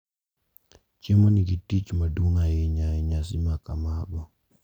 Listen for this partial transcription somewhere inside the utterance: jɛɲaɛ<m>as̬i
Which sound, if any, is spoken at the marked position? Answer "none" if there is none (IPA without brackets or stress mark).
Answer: ɲ